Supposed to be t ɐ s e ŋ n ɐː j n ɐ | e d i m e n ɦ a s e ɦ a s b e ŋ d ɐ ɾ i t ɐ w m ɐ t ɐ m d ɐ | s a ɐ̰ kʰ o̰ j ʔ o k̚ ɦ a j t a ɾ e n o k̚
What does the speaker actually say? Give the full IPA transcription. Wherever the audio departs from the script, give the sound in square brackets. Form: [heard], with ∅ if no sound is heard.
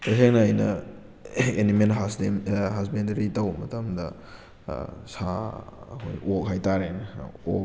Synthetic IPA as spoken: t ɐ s e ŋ n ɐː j n ɐ | e [n] i m e n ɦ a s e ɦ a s b e [n] d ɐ ɾ i t ɐ w m ɐ t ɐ m d ɐ | s a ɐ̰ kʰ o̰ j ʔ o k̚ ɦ a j t a ɾ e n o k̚